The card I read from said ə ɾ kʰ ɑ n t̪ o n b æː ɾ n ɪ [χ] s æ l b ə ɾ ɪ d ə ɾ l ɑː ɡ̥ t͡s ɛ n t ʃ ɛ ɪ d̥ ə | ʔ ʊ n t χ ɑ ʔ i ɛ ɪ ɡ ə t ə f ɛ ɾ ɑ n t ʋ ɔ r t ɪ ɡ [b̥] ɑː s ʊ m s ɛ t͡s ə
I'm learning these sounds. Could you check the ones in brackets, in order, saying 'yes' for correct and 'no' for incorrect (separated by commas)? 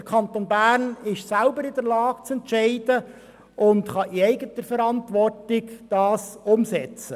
no, no